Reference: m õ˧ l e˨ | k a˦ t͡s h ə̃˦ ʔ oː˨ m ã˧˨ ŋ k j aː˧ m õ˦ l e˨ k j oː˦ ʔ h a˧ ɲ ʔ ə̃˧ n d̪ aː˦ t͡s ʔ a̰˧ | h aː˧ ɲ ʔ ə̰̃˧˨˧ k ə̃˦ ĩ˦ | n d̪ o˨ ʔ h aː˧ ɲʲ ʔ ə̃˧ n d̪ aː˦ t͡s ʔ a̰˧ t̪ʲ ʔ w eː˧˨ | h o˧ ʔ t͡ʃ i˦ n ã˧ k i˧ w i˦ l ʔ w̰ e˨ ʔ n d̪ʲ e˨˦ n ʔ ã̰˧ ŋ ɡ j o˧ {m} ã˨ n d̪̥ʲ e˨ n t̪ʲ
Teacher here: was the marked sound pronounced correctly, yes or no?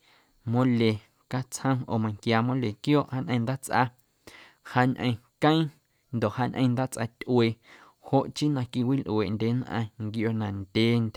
no